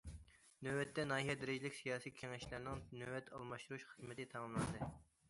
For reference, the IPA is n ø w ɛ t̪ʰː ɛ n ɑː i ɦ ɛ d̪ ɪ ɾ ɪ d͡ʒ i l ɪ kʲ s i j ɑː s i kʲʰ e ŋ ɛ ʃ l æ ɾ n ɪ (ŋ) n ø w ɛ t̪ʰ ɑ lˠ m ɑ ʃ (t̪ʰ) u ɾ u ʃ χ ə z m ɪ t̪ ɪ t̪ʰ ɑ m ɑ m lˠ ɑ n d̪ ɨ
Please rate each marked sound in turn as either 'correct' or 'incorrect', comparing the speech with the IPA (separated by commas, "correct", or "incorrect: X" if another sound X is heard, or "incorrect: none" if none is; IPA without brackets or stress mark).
correct, incorrect: t̪